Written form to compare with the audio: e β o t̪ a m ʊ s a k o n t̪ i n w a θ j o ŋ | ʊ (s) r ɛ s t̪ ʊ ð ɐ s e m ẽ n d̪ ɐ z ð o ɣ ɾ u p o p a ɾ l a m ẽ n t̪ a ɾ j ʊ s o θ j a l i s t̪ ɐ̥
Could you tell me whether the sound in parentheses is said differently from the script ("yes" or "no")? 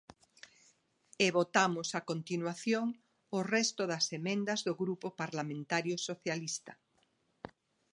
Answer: yes